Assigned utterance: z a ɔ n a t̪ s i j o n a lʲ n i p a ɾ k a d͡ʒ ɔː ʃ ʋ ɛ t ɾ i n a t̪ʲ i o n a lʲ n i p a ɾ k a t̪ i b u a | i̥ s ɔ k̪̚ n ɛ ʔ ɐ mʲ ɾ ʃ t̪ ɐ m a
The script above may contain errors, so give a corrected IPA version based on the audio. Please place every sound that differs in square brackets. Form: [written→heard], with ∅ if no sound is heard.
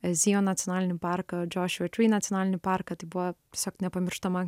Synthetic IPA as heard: z [a→i] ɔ n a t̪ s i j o n a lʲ n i p a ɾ k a d͡ʒ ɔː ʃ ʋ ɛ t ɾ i n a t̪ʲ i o n a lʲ n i p a ɾ k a t̪ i b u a | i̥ s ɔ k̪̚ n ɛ [ʔ→p] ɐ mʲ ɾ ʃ t̪ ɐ m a